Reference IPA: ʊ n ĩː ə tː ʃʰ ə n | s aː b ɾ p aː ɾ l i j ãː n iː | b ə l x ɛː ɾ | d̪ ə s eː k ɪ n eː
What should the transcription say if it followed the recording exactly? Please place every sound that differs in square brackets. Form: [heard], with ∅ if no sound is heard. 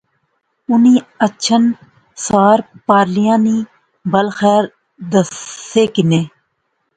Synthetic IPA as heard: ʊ n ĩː ə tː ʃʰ ə n | s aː [∅] ɾ p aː ɾ l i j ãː n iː | b ə l x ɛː ɾ | d̪ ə s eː k ɪ n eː